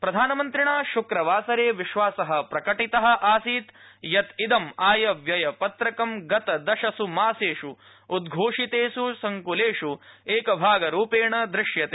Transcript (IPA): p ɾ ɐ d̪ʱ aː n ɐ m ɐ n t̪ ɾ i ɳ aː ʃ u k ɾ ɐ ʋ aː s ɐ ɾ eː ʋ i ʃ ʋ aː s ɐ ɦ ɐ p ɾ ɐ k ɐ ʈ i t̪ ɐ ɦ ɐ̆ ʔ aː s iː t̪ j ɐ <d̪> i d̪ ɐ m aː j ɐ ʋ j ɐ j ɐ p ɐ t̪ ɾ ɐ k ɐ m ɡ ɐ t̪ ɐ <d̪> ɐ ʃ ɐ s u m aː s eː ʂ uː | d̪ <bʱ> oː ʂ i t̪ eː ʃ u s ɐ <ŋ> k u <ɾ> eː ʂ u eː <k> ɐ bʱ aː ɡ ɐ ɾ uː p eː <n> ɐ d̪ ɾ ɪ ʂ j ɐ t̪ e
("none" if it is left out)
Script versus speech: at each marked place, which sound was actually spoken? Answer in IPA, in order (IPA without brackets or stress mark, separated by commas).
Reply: t̪, d̪, ɡʱ, ŋ, l, k, ɳ